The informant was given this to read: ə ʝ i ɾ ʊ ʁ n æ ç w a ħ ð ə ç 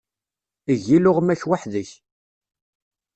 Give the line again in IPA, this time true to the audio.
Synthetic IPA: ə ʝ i l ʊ ʁ m æ ç w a ħ ð ə ç

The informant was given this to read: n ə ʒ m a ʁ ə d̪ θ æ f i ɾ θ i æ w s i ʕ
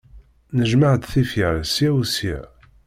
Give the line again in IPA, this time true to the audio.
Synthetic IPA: n ə ʒ m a ʕ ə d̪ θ i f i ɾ s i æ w s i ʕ

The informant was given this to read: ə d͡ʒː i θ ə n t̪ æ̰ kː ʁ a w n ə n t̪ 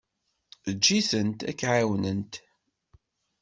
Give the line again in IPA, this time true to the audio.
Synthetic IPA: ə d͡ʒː i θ ə n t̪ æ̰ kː ʕ a w n ə n t̪

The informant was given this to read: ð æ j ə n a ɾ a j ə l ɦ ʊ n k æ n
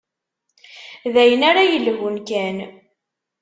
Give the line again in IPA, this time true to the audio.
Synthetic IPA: ð æ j ə n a ɾ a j ə l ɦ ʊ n k æ n

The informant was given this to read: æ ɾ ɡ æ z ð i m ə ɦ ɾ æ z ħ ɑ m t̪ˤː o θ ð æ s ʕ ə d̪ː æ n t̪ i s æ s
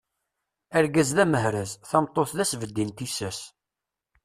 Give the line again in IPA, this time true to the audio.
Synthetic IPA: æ ɾ ɡ æ z ð æ m ə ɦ ɾ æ z θ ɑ m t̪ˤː o θ ð æ s v ə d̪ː i n t̪ i s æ s

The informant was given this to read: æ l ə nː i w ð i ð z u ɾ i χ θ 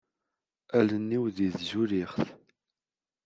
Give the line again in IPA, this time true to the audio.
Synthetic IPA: æ l ə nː i w ð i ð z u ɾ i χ θ

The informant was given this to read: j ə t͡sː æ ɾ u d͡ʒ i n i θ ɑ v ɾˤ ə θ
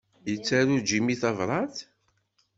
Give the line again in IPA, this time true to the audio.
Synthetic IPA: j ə t͡sː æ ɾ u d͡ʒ i m i θ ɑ v ɾˤ ɑ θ

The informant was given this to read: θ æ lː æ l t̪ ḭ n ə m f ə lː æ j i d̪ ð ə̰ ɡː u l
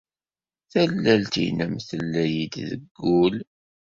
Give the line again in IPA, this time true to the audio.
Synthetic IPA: θ æ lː æ l t̪ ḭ n ə m θ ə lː æ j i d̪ ð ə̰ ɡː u l

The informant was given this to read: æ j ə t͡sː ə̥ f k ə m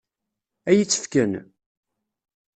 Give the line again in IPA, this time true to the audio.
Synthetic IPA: æ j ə t͡sː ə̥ f k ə n

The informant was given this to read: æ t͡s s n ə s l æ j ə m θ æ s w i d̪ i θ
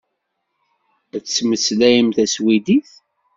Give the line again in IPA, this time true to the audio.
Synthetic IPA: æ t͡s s m ə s l æ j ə m θ æ s w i d̪ i θ

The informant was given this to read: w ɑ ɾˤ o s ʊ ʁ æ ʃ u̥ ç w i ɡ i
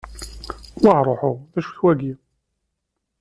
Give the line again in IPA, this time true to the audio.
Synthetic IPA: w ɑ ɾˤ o ħ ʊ ð æ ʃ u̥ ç w æ ɡ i

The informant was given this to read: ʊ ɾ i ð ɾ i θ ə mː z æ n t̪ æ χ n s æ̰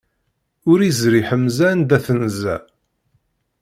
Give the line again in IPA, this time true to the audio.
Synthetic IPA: ʊ ɾ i z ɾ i ħ ə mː z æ n d̪ æ θ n z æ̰

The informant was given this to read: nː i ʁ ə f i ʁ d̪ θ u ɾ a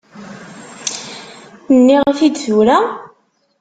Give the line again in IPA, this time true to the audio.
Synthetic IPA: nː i ʁ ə f i d̪ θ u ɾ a

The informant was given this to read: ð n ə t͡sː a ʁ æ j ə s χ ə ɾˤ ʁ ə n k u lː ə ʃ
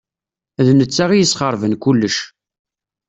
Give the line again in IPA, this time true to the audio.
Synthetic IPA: ð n ə t͡sː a ʁ i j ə s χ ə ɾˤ v ə n k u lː ə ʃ

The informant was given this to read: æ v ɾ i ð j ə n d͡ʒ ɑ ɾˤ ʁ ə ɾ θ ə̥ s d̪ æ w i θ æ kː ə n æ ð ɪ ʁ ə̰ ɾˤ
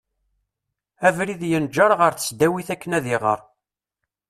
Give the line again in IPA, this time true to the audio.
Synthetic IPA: æ v ɾ i ð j ə n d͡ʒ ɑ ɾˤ ʁ ə ɾ θ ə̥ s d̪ æ w i θ æ kː ə n æ ð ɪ ʁ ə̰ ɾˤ

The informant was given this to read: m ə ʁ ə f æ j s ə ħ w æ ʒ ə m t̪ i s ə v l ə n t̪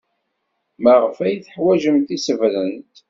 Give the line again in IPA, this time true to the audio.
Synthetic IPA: m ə ʁ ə f æ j θ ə ħ w æ ʒ ə m t̪ i s ə v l ə n t̪

